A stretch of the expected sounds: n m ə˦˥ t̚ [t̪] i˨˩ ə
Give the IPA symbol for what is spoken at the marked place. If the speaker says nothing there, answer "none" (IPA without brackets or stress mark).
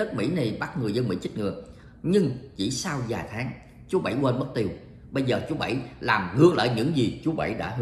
t̪